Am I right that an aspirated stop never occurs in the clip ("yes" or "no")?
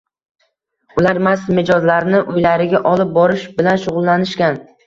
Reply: yes